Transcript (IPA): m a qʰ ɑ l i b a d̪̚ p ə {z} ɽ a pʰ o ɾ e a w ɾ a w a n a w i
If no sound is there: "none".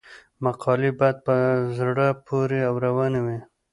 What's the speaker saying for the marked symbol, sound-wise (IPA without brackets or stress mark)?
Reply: z